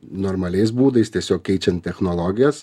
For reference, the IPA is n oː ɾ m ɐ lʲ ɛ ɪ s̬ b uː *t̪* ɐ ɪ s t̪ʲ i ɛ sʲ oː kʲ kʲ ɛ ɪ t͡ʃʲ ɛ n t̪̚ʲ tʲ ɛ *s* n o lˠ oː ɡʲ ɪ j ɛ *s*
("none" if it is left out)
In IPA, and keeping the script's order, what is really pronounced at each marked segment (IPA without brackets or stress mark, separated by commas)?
d̪, x, s